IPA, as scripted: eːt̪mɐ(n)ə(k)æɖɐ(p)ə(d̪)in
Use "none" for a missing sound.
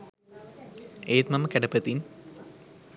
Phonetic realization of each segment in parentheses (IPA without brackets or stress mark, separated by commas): m, k, p, t̪